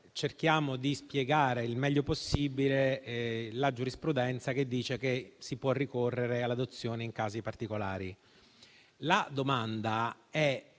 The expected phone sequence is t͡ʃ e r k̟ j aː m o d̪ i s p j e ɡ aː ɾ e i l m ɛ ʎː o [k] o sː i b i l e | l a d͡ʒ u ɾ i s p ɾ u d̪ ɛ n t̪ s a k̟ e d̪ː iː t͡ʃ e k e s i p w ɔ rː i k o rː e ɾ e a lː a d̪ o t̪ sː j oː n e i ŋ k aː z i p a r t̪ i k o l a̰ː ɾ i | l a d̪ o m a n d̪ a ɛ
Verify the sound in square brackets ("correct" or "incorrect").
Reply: incorrect